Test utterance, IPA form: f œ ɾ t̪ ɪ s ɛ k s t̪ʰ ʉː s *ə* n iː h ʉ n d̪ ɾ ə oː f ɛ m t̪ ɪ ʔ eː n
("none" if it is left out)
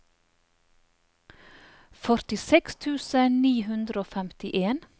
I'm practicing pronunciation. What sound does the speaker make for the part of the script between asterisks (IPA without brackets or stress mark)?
ə